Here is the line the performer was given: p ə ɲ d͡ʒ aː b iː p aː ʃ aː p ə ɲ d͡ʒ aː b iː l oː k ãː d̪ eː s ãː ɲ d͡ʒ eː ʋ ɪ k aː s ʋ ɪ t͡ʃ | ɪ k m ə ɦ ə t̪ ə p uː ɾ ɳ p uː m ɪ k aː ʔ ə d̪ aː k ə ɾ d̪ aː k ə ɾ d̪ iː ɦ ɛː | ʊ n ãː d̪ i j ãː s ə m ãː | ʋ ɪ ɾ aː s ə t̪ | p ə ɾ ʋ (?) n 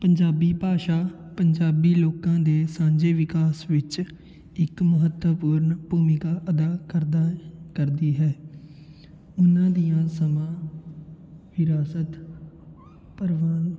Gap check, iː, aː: aː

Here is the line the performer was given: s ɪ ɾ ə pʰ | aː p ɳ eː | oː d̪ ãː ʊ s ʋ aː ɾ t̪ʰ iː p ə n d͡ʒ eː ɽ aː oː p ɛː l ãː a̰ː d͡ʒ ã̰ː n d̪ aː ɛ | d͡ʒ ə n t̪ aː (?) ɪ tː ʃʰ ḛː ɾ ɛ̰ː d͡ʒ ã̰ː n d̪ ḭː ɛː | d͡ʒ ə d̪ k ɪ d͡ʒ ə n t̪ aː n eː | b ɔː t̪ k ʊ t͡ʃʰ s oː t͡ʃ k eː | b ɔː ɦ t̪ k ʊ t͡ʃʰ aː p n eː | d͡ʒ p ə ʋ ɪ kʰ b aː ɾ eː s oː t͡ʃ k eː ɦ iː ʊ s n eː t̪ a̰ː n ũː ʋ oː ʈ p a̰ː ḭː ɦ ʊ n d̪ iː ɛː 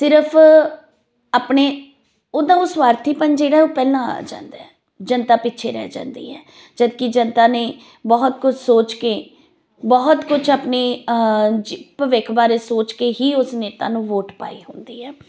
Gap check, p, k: p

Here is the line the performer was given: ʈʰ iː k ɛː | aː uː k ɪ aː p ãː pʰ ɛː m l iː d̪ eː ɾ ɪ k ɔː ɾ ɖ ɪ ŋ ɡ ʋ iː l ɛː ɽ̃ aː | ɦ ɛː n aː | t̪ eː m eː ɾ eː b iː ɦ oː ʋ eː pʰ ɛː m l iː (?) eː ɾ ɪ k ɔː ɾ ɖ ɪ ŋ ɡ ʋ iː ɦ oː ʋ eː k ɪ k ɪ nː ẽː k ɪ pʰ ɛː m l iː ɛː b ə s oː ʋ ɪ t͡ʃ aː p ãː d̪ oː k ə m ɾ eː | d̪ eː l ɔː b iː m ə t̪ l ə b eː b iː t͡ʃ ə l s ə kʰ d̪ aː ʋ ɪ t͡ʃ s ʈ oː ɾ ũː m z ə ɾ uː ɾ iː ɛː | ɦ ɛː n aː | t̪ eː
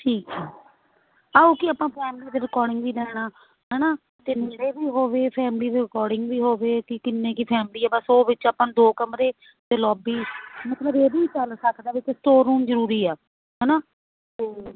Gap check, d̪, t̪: d̪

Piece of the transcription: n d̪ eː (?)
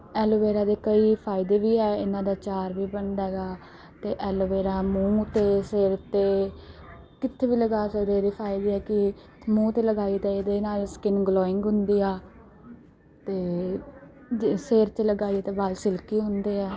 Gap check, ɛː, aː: ɛː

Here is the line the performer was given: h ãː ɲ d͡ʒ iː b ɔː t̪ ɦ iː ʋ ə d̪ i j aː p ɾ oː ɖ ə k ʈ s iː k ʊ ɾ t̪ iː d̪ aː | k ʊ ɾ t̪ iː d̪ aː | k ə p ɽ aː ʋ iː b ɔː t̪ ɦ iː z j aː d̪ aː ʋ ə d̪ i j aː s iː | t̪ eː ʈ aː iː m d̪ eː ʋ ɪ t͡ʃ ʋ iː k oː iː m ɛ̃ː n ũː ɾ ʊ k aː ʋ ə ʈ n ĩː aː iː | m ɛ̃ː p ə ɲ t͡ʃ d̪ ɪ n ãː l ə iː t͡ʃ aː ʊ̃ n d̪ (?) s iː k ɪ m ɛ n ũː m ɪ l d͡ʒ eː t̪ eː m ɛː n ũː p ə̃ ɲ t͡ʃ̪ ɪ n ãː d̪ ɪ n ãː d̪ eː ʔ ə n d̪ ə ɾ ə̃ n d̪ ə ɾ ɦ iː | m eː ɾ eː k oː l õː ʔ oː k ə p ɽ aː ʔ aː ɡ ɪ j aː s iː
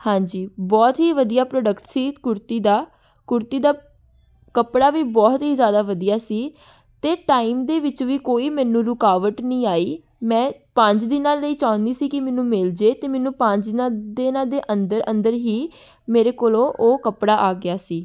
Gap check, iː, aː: iː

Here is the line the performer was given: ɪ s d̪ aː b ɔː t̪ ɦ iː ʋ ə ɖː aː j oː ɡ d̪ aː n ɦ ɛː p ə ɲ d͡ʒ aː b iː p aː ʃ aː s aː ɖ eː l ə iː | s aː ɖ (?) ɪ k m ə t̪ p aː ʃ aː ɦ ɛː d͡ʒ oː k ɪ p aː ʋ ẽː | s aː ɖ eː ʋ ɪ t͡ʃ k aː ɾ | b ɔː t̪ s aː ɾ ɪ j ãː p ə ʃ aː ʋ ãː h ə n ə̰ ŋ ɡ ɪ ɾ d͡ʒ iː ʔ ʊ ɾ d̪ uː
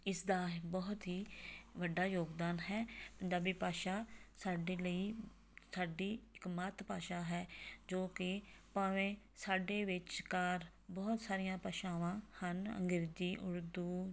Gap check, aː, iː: iː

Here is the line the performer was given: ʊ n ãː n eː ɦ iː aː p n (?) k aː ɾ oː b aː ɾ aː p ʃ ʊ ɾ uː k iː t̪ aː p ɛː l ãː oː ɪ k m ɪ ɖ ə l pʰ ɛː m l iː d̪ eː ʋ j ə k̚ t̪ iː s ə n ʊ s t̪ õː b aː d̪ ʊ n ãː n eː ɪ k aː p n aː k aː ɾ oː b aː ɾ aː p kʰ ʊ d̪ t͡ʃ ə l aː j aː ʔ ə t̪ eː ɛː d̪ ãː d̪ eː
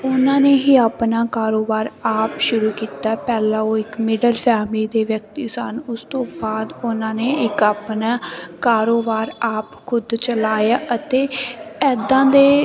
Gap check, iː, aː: aː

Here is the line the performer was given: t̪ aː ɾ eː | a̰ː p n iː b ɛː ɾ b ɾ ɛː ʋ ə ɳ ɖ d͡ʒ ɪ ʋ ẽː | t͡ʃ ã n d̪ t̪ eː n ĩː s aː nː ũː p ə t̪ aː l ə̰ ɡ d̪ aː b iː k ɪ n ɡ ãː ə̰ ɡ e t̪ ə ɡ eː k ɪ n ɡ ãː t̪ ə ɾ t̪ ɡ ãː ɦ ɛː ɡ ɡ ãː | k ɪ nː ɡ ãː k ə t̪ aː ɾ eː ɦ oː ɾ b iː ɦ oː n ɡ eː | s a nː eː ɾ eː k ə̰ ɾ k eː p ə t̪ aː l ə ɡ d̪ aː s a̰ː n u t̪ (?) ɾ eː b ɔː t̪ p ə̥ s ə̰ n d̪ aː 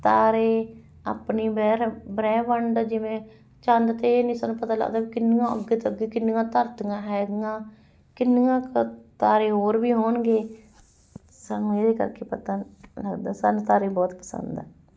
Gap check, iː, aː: aː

